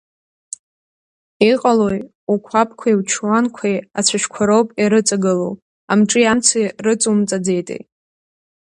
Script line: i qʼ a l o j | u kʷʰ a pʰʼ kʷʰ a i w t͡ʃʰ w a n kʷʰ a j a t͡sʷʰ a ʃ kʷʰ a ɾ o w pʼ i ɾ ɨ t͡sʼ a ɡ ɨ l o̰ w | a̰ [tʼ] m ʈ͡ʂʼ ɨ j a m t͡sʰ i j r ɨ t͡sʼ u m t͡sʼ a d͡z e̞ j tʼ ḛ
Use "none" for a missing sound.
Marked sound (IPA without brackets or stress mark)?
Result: none